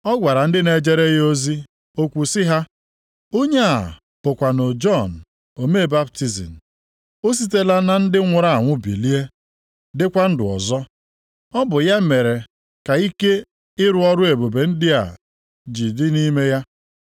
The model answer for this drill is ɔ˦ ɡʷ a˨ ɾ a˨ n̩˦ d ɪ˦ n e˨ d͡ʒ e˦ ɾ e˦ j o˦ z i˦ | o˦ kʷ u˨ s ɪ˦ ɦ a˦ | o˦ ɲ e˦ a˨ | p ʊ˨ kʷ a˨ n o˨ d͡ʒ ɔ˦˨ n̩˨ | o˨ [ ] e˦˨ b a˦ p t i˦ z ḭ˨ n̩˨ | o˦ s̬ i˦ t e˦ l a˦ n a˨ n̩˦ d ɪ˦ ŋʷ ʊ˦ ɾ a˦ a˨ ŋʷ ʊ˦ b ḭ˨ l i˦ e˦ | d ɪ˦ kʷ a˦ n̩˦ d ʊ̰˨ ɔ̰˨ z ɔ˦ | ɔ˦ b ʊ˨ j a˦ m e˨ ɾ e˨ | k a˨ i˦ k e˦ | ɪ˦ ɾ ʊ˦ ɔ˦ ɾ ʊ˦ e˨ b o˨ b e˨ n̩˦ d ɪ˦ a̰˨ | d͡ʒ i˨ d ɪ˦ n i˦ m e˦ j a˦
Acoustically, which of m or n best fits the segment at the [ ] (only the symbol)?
m